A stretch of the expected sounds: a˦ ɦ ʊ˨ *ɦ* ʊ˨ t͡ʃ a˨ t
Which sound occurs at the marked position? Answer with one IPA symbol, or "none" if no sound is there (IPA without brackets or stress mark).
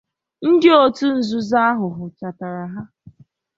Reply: ɦ